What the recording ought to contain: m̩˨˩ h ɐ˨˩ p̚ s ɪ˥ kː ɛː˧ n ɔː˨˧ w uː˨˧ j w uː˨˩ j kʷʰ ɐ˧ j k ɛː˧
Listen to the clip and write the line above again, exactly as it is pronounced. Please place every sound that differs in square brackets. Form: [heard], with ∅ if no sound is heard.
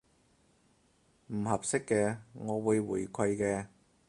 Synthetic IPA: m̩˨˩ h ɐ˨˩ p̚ s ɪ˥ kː ɛː˧ [ŋ] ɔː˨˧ w uː˨˧ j w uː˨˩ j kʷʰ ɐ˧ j k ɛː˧